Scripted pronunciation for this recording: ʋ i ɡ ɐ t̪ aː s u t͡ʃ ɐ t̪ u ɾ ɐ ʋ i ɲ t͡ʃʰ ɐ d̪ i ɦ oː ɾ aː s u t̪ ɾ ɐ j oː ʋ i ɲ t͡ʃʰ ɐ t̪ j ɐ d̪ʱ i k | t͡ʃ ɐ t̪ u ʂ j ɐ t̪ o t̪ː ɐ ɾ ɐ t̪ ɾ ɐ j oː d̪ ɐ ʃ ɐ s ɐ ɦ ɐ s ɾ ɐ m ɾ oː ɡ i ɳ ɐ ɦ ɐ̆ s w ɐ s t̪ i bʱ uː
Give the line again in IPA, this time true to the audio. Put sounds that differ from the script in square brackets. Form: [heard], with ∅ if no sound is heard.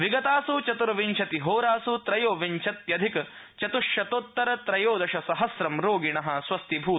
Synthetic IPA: ʋ i ɡ ɐ t̪ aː s u t͡ʃ ɐ t̪ u ɾ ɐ ʋ i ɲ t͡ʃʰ ɐ [t̪] i ɦ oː ɾ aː s u t̪ ɾ ɐ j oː ʋ i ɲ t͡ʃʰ ɐ t̪ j ɐ d̪ʱ i k | t͡ʃ ɐ t̪ u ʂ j ɐ t̪ o t̪ː ɐ ɾ ɐ t̪ ɾ ɐ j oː d̪ ɐ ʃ ɐ s ɐ ɦ ɐ s ɾ ɐ m ɾ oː ɡ i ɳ ɐ ɦ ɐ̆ s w ɐ s t̪ i bʱ uː

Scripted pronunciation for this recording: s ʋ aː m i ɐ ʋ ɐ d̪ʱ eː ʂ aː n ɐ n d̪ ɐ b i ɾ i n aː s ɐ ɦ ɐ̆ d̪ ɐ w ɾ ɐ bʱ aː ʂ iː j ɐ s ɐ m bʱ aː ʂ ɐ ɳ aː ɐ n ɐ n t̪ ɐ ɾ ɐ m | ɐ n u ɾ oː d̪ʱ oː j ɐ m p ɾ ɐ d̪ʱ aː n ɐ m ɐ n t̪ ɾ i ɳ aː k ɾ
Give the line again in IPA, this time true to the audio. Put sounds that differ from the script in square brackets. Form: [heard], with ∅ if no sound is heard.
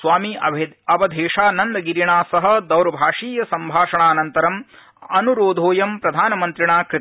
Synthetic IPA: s ʋ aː m i ɐ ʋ ɐ d̪ʱ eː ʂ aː n ɐ n d̪ ɐ [ɡ] i ɾ i [ɳ] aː s ɐ ɦ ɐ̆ d̪ ɐ w ɾ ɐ bʱ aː ʂ iː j ɐ s ɐ m bʱ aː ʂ ɐ ɳ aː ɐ n ɐ n t̪ ɐ ɾ ɐ m | ɐ n u ɾ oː d̪ʱ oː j ɐ m p ɾ ɐ d̪ʱ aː n ɐ m ɐ n t̪ ɾ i ɳ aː k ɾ

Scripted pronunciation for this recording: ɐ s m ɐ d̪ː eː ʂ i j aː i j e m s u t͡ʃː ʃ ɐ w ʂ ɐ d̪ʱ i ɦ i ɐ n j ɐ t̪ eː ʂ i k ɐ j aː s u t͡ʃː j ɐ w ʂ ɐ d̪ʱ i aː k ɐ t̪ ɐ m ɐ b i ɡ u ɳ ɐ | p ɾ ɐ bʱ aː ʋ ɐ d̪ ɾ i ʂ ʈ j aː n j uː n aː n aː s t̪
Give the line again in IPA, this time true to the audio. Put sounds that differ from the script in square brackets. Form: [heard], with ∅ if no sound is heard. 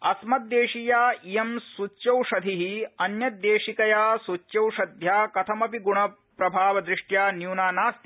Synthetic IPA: ɐ s m ɐ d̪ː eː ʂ i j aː i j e m s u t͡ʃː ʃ ɐ w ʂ ɐ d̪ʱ i ɦ i ɐ n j ɐ [d̪] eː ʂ i k ɐ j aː s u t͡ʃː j ɐ w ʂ ɐ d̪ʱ [j] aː k ɐ [t̪ʰ] ɐ m ɐ [p] i ɡ u ɳ ɐ | p ɾ ɐ bʱ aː ʋ ɐ d̪ ɾ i ʂ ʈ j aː n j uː n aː n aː s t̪

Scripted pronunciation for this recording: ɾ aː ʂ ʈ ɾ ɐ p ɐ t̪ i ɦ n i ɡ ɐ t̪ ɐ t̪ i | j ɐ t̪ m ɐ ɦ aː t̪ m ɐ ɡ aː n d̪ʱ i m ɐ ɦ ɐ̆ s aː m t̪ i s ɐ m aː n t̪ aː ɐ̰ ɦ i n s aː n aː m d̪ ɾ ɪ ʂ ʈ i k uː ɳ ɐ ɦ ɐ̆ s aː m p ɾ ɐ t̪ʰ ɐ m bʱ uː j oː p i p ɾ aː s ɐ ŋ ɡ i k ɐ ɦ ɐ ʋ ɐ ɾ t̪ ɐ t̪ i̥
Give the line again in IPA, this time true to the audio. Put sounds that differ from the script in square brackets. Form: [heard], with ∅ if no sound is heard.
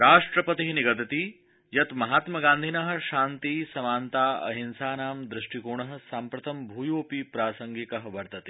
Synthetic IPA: ɾ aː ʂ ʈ ɾ ɐ p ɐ t̪ i ɦ n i ɡ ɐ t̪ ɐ t̪ i | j ɐ t̪ m ɐ ɦ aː t̪ m ɐ ɡ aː n d̪ʱ i [n] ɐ ɦ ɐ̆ [ʃ] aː [n] t̪ i s ɐ m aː n t̪ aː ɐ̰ ɦ i n s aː n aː m d̪ ɾ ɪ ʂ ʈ i k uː ɳ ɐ ɦ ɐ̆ s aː m p ɾ ɐ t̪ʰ ɐ m bʱ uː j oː p i p ɾ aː s ɐ ŋ ɡ i k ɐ ɦ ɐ ʋ ɐ ɾ t̪ ɐ t̪ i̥

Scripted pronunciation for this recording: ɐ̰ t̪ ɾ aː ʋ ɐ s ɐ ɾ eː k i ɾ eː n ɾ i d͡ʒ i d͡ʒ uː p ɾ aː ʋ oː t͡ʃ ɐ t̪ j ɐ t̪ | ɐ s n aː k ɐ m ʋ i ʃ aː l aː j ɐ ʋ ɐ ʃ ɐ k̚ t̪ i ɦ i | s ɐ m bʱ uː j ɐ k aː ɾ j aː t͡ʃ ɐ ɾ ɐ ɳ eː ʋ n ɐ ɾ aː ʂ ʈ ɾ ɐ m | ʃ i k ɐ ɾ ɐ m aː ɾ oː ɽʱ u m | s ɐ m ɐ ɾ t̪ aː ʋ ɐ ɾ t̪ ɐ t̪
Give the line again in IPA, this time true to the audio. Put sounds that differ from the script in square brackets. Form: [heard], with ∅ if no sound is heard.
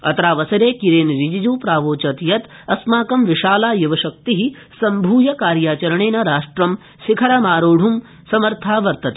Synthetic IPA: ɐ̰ t̪ ɾ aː ʋ ɐ s ɐ ɾ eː k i ɾ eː n ɾ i d͡ʒ i d͡ʒ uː p ɾ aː ʋ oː t͡ʃ ɐ t̪ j ɐ t̪ | ɐ s [m] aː k ɐ m ʋ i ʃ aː l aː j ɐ ʋ ɐ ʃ ɐ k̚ t̪ i ɦ i | s ɐ m bʱ uː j ɐ k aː ɾ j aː t͡ʃ ɐ ɾ ɐ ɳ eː [∅] n ɐ ɾ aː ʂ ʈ ɾ ɐ m | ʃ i [kʰ] ɐ ɾ ɐ m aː ɾ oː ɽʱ u m | s ɐ m ɐ ɾ [t̪ʰ] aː ʋ ɐ ɾ t̪ ɐ t̪

